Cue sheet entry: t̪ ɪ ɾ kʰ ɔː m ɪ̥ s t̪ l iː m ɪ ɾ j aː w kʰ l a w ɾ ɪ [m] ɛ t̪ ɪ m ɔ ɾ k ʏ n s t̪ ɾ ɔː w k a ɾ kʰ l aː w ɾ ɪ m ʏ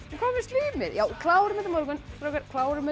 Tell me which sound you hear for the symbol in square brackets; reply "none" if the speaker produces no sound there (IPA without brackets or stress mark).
m